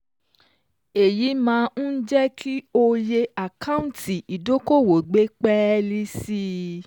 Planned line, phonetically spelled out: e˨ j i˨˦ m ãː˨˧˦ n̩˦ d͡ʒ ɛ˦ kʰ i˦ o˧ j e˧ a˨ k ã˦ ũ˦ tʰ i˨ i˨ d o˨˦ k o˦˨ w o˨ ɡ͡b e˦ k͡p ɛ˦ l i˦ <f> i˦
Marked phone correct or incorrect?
incorrect